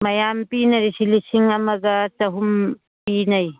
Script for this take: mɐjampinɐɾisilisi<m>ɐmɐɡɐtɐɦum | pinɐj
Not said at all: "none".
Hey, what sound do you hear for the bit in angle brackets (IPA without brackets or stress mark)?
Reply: ŋ